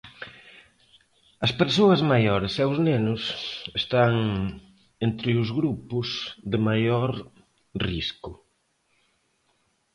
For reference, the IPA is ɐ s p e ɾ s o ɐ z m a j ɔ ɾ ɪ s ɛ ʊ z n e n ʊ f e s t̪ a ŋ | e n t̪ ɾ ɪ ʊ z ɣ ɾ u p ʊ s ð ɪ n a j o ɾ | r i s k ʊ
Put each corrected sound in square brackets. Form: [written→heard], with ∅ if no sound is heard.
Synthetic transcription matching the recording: ɐ s p e ɾ s o ɐ z m a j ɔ ɾ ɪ s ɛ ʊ z n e n ʊ [f→s] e s t̪ a ŋ | e n t̪ ɾ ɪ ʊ z ɣ ɾ u p ʊ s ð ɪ [n→m] a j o ɾ | r i s k ʊ